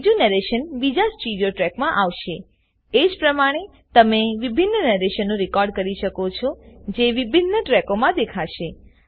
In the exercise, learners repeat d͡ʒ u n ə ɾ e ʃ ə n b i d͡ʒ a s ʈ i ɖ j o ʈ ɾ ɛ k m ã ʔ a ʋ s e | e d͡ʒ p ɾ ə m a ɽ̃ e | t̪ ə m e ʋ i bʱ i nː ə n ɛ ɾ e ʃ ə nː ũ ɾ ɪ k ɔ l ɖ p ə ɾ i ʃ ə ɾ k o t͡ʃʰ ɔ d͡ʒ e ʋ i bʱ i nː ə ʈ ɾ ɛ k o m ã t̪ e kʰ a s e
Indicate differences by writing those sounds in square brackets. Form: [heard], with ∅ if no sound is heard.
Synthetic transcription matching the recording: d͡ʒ u n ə ɾ e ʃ ə n b i d͡ʒ a s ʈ i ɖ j o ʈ ɾ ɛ k m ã ʔ a ʋ [ʃ] e | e d͡ʒ p ɾ ə m a ɽ̃ e | t̪ ə m e ʋ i bʱ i nː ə n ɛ ɾ e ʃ ə nː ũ ɾ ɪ k ɔ [ɾ] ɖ [k] ə ɾ i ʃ ə [∅] k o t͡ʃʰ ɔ d͡ʒ e ʋ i bʱ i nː ə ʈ ɾ ɛ k o m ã [d̪] e kʰ a [ʃ] e